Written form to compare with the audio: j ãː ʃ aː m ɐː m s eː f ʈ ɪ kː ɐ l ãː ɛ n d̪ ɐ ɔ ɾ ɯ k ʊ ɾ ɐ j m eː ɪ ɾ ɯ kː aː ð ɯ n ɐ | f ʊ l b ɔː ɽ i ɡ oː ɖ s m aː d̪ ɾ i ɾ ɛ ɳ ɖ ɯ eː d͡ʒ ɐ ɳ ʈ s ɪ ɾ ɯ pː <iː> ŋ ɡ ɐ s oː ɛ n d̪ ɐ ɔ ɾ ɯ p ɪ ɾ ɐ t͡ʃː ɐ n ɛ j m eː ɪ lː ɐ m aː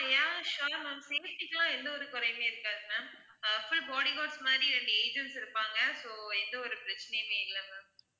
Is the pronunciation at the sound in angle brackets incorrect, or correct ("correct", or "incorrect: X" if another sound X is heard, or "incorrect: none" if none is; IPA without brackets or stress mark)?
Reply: incorrect: aː